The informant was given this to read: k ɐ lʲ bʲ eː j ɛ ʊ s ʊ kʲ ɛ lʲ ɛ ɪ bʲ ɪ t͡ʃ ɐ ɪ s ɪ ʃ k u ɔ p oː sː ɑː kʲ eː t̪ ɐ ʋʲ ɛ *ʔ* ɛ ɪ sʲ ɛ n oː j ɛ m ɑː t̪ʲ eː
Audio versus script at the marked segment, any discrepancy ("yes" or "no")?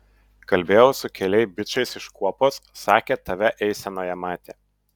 no